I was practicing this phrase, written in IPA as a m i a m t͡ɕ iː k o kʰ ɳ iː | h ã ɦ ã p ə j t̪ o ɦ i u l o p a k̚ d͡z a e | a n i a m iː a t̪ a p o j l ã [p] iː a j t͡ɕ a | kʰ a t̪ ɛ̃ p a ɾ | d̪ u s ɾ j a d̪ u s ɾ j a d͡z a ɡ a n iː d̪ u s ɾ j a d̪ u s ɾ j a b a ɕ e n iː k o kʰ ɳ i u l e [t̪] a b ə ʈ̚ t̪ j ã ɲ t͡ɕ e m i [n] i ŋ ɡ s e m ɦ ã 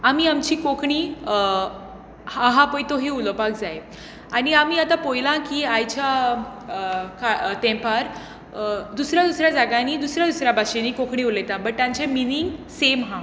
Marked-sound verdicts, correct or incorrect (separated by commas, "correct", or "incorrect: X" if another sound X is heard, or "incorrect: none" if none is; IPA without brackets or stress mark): incorrect: k, correct, correct